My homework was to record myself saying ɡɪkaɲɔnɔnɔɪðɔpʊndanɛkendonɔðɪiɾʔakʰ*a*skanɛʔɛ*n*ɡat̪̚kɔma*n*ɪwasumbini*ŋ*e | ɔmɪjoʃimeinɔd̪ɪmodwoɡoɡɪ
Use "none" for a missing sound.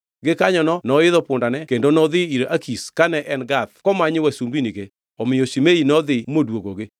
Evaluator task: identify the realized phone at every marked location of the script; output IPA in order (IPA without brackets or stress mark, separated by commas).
i, n, ɲ, ɡ